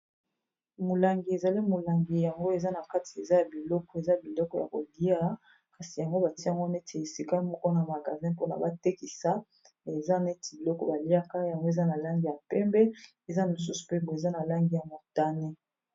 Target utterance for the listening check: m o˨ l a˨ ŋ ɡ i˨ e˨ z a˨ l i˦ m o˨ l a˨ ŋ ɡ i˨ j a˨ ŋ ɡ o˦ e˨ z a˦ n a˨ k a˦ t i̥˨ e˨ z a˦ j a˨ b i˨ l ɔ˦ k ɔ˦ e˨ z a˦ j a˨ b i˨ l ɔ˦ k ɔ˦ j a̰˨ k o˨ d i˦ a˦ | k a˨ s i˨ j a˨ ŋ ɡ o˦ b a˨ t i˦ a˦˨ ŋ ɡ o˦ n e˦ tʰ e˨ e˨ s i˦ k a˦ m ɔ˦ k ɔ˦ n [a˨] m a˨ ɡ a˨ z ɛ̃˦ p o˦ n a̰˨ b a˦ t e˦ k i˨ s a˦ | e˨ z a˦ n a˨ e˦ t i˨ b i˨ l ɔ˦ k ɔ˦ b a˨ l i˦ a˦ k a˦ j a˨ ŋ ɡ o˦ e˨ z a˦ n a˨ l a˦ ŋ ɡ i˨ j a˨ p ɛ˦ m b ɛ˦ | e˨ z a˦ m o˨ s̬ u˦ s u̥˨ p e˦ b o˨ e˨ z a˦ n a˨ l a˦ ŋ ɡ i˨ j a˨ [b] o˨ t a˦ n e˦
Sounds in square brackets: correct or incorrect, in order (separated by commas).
correct, incorrect